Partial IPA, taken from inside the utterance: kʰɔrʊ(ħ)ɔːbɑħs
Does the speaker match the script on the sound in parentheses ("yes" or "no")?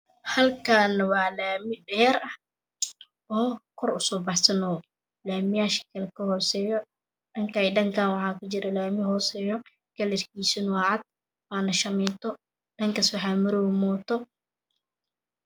no